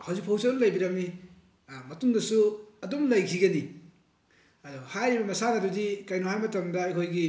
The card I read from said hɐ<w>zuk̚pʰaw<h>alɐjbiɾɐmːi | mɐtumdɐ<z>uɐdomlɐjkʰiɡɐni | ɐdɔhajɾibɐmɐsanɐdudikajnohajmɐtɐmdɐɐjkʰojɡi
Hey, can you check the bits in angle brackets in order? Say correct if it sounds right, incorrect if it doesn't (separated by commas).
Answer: correct, incorrect, incorrect